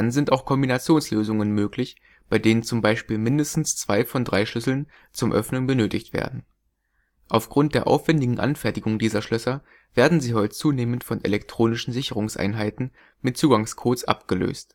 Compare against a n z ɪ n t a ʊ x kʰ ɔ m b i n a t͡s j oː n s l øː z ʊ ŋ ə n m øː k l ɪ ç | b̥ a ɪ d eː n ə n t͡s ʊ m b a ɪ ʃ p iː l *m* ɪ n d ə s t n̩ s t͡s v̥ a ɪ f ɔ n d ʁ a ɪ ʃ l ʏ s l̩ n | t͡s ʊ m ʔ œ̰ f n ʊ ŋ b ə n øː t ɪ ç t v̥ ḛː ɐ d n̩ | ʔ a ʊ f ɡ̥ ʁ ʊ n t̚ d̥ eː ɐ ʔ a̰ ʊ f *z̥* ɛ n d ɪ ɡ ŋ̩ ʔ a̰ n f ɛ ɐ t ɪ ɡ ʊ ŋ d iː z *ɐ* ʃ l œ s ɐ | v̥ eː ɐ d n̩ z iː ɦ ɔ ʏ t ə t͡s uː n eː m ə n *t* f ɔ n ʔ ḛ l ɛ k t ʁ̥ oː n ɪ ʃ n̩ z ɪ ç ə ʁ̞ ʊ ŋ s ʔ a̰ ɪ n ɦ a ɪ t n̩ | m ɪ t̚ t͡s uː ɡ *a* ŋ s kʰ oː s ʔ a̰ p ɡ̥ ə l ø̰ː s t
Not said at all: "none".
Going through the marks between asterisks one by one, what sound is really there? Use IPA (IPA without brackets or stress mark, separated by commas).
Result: m, v̥, ɐ, t, a